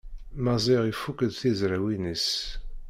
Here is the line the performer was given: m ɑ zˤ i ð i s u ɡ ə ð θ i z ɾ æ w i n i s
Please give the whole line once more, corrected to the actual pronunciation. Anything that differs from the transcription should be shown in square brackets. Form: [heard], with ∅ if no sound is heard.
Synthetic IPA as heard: m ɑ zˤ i [ʁ] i [f] u [k] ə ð θ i z ɾ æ w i n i s